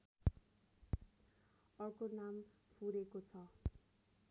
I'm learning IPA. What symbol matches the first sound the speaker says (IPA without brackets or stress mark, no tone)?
ʌ